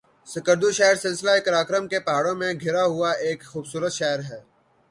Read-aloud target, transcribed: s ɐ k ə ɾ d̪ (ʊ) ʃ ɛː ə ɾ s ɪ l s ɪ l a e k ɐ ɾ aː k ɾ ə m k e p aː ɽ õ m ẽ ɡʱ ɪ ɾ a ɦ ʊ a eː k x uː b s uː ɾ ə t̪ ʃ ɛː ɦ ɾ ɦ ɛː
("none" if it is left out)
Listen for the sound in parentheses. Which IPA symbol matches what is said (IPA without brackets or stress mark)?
u